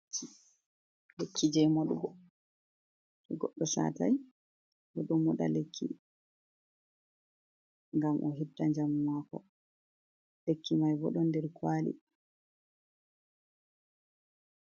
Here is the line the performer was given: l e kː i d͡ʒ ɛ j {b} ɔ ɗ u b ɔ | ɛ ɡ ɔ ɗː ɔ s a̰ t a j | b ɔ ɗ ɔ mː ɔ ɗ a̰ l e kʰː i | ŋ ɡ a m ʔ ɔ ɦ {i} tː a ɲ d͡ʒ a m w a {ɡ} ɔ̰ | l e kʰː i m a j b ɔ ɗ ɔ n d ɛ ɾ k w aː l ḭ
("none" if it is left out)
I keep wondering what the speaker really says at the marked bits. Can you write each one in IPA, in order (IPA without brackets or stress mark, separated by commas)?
m, i, k